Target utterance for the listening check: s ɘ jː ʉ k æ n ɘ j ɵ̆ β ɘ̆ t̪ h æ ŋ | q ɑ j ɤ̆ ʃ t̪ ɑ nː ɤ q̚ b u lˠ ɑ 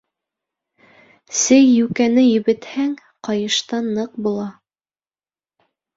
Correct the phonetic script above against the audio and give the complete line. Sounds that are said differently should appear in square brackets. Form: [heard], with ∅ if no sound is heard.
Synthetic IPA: s ɘ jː ʉ k æ n ɘ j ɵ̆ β ɘ̆ t̪ h æ ŋ | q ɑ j ɤ̆ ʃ t̪ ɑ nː ɤ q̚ b u lˠ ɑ